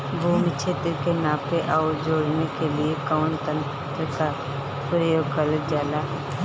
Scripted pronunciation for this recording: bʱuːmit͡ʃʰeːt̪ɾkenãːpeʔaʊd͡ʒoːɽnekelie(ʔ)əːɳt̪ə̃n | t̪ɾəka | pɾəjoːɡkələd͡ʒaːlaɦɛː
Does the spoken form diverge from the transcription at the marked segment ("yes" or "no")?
yes